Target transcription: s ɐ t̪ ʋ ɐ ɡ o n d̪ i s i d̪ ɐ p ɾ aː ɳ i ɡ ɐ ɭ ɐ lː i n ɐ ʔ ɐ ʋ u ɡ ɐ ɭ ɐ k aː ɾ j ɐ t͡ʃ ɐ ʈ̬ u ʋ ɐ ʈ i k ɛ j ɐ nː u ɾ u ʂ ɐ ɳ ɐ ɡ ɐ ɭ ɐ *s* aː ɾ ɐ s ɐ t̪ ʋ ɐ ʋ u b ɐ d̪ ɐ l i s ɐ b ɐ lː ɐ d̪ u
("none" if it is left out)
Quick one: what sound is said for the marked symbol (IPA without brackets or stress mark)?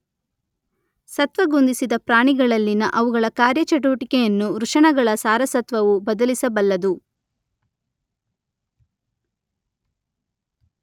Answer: s